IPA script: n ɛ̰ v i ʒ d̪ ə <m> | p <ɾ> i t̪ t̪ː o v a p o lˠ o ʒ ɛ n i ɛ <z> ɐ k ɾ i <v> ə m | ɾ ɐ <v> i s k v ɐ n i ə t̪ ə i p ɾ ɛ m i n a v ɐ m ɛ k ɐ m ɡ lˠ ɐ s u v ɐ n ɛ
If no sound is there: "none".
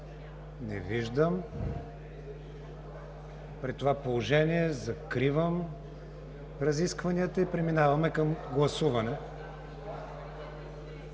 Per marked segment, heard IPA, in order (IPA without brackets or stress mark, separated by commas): m, ɾ, z, v, z